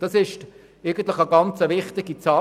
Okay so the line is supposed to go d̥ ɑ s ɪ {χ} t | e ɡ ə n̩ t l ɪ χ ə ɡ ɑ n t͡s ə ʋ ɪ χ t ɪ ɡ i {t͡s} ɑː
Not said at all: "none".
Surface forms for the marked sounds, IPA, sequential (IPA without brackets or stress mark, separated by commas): ʃ, t͡s